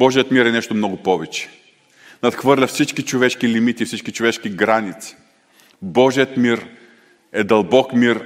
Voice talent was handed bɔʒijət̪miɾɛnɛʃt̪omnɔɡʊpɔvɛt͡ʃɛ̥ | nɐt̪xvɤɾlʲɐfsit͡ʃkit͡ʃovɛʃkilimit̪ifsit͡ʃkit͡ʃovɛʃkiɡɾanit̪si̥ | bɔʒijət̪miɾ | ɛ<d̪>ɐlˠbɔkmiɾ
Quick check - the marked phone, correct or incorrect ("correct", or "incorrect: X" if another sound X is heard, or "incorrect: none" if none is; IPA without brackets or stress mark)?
correct